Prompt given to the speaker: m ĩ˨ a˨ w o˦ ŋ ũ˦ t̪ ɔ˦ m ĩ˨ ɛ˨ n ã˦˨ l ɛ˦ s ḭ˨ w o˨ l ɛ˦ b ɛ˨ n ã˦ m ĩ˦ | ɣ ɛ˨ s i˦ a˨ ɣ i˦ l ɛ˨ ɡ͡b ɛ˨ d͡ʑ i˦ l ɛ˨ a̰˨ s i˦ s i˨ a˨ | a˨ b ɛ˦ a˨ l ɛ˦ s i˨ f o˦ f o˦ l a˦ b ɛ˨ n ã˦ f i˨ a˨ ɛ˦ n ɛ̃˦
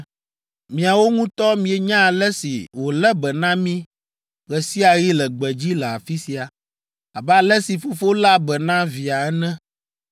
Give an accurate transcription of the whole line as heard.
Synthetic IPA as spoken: m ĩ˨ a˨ w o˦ ŋ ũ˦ t̪ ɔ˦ m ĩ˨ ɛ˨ ɲ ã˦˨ l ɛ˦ s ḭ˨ w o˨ l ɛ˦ b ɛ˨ n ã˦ m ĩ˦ | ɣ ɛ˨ s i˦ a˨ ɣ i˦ l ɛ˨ ɡ͡b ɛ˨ d͡ʑ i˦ l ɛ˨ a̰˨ f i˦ s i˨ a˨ | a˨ b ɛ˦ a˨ l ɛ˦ s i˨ f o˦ f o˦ l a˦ b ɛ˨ n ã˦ v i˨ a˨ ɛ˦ n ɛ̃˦